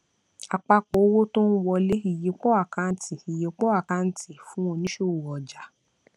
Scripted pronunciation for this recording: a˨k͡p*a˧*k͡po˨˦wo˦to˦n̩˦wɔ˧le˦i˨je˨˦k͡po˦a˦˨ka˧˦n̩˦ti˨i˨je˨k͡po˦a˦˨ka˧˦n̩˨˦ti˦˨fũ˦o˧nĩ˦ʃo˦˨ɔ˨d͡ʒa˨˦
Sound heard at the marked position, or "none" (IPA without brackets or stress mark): a˧